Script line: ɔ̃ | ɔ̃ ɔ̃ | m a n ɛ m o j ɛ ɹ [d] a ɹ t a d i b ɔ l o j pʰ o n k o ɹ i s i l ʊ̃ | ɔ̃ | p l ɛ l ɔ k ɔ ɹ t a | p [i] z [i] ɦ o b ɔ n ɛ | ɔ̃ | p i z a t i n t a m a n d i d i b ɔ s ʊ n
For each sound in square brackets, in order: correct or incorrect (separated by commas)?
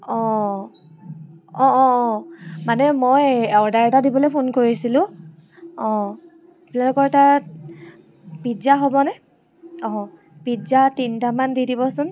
correct, correct, incorrect